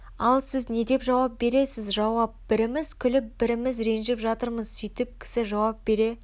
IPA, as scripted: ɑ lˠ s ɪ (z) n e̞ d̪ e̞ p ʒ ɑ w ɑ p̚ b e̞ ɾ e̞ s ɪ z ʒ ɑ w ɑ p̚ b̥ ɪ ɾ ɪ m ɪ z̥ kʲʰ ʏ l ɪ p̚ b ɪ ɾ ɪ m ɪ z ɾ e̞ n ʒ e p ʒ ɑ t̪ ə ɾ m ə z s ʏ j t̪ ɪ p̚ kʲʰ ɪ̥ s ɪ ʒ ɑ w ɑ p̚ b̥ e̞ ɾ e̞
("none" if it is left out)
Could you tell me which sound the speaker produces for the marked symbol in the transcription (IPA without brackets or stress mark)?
z